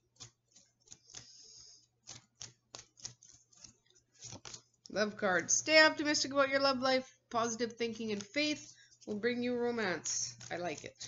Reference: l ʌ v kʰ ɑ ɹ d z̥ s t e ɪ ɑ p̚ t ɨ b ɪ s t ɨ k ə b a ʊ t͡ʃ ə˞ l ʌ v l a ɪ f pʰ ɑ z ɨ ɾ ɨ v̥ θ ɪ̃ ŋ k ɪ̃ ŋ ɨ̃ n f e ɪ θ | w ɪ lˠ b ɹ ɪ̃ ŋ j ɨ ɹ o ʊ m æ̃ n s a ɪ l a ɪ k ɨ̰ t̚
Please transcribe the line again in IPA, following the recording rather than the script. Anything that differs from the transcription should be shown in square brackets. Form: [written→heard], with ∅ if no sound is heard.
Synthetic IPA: l ʌ v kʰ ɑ ɹ d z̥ s t e ɪ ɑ p̚ t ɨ [b→m] ɪ s t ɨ k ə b a ʊ t͡ʃ ə˞ l ʌ v l a ɪ f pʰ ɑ z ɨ ɾ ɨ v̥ θ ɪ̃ ŋ k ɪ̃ ŋ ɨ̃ n f e ɪ θ | w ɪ lˠ b ɹ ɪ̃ ŋ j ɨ ɹ o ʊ m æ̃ n s a ɪ l a ɪ k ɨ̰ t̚